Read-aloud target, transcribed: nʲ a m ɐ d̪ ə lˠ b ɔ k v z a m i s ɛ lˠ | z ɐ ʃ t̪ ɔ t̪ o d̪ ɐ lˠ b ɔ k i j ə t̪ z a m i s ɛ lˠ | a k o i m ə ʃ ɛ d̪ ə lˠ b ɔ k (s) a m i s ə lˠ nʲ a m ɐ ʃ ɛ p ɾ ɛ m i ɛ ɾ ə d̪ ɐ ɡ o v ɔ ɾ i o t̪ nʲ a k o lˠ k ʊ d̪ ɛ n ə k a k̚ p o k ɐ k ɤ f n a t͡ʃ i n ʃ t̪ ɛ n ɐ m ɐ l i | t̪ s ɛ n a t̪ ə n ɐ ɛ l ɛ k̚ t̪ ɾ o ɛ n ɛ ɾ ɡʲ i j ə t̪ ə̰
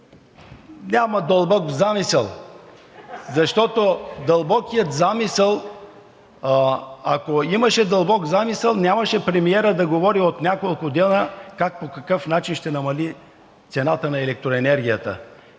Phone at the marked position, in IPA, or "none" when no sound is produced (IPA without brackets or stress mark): z